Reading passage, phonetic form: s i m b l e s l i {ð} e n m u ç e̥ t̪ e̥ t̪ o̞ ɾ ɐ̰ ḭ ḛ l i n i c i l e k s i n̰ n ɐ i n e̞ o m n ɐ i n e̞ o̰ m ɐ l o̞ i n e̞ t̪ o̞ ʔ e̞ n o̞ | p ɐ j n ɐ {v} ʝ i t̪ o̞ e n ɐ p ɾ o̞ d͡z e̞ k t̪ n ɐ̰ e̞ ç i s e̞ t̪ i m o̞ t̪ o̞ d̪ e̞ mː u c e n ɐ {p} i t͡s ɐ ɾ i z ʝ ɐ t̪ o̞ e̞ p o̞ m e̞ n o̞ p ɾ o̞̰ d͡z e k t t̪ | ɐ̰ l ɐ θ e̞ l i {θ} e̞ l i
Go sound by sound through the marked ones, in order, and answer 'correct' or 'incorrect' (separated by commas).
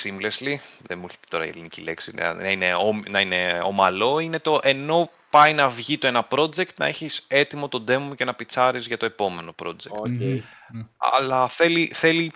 correct, correct, correct, correct